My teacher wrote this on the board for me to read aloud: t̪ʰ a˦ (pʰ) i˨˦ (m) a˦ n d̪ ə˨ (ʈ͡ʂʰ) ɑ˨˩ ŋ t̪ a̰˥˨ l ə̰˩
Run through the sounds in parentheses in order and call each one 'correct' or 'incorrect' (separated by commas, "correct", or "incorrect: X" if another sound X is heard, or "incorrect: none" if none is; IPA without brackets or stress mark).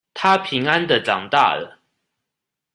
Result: correct, incorrect: ŋ, incorrect: ʈ͡ʂ